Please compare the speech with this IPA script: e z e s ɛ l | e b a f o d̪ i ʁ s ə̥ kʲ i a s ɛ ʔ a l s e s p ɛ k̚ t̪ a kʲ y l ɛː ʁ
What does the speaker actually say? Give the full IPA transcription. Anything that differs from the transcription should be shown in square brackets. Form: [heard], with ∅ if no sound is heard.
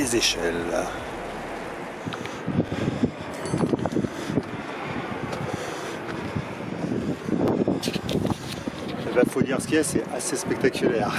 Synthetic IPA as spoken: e z e [ʃ] ɛ l | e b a f o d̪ i ʁ s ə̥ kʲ i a s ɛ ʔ a [∅] s e s p ɛ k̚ t̪ a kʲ y l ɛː ʁ

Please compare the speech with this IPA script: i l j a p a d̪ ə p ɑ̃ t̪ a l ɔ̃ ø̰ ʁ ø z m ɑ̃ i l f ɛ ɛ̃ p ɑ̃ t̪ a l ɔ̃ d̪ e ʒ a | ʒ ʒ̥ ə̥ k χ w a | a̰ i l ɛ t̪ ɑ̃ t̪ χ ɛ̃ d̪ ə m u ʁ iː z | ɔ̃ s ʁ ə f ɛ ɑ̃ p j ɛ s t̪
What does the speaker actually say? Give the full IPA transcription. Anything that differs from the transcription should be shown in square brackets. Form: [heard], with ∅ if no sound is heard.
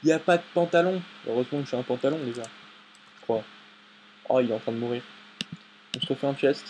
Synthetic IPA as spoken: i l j a p a d̪ ə p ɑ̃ t̪ a l ɔ̃ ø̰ ʁ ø z m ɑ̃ i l f ɛ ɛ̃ p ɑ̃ t̪ a l ɔ̃ d̪ e ʒ a | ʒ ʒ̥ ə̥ k χ w a | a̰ i l ɛ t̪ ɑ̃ t̪ χ ɛ̃ d̪ ə m u ʁ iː [ʁ] | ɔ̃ s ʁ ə f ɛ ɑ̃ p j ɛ s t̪

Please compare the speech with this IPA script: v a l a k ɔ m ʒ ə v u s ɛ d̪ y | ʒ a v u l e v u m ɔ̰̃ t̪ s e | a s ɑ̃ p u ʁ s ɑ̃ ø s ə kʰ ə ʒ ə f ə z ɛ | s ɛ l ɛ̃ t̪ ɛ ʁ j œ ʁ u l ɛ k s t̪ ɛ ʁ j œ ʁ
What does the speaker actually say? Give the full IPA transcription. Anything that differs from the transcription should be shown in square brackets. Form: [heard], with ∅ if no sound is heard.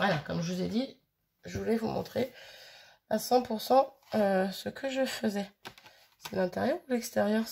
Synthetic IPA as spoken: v a l a k ɔ m ʒ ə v u [z] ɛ d̪ [i] | ʒ [ə] v u l [ɛ] v u m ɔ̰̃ t̪ [χ] e | a s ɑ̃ p u ʁ s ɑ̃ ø s ə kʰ ə ʒ ə f ə z ɛ | s ɛ l ɛ̃ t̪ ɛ ʁ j œ ʁ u l ɛ k s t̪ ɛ ʁ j œ ʁ

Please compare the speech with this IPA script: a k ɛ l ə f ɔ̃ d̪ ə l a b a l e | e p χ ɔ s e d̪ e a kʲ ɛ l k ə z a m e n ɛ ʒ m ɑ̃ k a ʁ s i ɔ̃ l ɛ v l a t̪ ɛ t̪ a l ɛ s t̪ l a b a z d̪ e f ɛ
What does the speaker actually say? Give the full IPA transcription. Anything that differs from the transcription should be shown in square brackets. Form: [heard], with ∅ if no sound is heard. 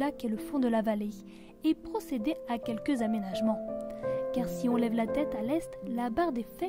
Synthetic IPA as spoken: a k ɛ l ə f ɔ̃ d̪ ə l a [v] a l e | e p χ ɔ s e d̪ e a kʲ ɛ l k ə z a m e n [a] ʒ m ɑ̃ k a ʁ s i ɔ̃ l ɛ v l a t̪ ɛ t̪ a l ɛ s t̪ l a b a [ʁ] d̪ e f ɛ

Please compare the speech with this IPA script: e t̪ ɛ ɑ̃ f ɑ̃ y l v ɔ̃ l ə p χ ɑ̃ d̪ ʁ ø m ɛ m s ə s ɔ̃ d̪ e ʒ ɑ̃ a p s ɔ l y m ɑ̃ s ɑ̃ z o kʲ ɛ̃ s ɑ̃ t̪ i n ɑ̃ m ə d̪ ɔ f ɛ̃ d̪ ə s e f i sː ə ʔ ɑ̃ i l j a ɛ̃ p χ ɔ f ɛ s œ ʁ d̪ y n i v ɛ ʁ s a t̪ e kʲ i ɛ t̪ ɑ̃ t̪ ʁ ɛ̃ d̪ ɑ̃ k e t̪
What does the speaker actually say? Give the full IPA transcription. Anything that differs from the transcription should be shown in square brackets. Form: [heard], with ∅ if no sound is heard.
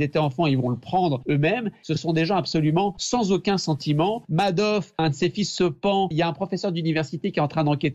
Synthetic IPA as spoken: e t̪ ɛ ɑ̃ f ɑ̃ [i] l v ɔ̃ l ə p χ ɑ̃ d̪ ʁ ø m ɛ m s ə s ɔ̃ d̪ e ʒ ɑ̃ a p s ɔ l y m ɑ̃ s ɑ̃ z o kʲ ɛ̃ s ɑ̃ t̪ i [m] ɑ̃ m [a] d̪ ɔ f ɛ̃ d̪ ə s e f i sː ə [p] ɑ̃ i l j a ɛ̃ p χ ɔ f ɛ s œ ʁ d̪ y n i v ɛ ʁ s [i] t̪ e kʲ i ɛ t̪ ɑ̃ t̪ [χ] ɛ̃ d̪ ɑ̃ k e t̪

